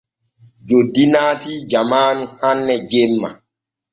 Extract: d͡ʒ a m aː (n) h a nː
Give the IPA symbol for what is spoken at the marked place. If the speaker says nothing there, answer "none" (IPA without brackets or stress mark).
n